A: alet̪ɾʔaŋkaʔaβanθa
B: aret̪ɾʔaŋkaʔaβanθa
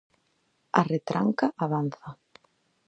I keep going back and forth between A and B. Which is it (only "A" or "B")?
B